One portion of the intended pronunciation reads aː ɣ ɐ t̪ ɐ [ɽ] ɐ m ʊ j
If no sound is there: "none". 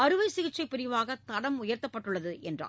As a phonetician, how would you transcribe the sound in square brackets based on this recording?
ɽ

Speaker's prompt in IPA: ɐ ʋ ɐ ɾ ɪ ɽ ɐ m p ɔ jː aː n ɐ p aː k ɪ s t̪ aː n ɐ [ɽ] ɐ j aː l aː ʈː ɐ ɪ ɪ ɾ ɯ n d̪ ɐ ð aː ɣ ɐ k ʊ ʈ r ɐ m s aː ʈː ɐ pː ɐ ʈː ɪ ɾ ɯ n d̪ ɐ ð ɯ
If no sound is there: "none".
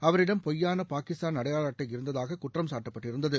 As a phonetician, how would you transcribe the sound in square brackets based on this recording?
ɽ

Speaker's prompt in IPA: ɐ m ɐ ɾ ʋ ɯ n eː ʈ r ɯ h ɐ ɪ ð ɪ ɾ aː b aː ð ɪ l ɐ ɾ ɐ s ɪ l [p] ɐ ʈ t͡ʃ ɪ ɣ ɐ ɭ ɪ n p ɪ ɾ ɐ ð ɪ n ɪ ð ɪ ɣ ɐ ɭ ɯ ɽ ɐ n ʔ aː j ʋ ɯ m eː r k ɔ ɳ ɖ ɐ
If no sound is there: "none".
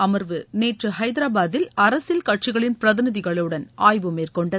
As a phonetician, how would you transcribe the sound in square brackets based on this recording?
k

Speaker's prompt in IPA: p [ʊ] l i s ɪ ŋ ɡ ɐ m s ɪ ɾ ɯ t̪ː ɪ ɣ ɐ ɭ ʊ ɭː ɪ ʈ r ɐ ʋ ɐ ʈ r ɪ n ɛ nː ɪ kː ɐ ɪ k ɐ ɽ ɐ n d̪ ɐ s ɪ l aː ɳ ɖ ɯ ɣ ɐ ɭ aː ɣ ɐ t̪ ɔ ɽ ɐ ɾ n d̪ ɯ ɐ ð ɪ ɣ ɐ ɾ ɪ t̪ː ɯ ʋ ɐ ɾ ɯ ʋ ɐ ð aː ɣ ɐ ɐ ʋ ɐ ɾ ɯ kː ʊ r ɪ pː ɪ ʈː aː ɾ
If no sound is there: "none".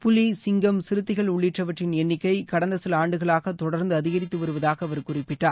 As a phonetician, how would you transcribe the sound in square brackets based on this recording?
ʊ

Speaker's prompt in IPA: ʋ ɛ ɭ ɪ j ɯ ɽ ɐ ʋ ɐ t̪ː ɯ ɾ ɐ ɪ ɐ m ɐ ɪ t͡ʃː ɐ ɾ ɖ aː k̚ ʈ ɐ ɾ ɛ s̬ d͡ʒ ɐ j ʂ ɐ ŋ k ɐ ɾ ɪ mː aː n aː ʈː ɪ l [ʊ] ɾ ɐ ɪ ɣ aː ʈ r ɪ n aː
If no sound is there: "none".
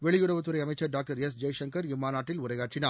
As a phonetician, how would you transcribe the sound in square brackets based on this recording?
ʊ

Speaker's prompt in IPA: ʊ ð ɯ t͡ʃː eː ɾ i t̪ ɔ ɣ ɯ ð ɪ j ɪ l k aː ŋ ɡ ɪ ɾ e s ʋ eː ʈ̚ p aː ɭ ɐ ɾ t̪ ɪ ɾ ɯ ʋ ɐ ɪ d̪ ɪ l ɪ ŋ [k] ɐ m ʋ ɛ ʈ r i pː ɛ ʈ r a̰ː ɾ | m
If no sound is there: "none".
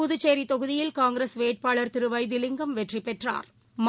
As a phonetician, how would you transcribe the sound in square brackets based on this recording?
ɡ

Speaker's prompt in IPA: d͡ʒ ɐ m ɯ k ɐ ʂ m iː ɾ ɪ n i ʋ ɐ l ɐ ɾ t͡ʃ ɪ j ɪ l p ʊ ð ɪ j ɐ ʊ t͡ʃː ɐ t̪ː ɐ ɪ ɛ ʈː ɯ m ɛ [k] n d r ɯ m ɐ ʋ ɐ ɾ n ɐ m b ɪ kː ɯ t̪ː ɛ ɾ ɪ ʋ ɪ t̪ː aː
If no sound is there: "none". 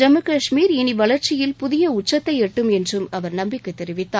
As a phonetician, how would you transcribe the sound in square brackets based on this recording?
none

